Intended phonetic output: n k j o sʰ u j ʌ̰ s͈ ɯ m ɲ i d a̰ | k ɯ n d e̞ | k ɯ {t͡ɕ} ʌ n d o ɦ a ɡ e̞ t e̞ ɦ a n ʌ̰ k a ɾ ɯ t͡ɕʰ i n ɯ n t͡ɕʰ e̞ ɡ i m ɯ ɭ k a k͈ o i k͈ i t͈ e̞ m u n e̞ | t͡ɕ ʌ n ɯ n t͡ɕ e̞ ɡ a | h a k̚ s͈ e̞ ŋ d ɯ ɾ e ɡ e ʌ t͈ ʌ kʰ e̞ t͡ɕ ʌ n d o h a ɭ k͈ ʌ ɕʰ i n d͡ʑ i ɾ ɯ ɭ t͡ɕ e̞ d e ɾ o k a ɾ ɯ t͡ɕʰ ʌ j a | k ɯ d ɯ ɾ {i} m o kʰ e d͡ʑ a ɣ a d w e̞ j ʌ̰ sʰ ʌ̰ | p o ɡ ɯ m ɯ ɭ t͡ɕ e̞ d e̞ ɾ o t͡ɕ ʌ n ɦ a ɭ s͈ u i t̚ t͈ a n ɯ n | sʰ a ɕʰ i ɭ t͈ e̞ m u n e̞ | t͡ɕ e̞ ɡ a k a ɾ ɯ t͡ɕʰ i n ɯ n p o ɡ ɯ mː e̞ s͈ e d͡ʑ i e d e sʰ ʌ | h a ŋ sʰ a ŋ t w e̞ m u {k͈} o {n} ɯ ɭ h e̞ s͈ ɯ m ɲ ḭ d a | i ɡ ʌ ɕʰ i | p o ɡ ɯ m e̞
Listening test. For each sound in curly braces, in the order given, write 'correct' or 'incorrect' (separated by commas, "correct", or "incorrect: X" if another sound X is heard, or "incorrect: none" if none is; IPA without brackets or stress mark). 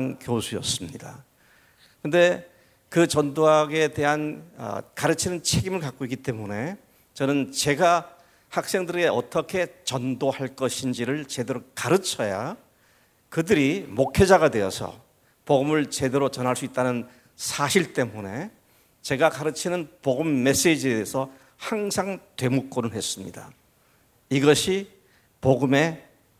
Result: correct, correct, correct, correct